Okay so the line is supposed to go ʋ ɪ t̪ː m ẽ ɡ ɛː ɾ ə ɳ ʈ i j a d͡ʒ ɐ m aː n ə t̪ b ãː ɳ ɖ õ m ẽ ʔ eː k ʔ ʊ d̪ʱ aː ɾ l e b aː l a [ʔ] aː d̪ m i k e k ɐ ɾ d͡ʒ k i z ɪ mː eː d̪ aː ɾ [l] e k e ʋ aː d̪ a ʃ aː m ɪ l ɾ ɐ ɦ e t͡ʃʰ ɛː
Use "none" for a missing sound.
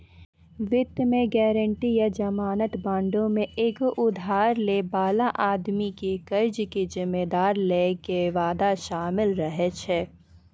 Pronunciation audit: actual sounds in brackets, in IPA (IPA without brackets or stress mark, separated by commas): ʔ, l